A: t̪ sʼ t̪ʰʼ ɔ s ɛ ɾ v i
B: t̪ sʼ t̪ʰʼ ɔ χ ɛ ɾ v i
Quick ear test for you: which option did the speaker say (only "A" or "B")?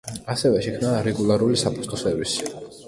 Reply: A